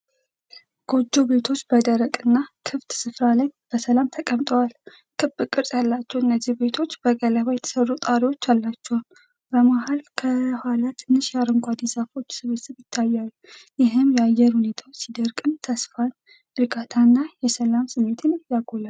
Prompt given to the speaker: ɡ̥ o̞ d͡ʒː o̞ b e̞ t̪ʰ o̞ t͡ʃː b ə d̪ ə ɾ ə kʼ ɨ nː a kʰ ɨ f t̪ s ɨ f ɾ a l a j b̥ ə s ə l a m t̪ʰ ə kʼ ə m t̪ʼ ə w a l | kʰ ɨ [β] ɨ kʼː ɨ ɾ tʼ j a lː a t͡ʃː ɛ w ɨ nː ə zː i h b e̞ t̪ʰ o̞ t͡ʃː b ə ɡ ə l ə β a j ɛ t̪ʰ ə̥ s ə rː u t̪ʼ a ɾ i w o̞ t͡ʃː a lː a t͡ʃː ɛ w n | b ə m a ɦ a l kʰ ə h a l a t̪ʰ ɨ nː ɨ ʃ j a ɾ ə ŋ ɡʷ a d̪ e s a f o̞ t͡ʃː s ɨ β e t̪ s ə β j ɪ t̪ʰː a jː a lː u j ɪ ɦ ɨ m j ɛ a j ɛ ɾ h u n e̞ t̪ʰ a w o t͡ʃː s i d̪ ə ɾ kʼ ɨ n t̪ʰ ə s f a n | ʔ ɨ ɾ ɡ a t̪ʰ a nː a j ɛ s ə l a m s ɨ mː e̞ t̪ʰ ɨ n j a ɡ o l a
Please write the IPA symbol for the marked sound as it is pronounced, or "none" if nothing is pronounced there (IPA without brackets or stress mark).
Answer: b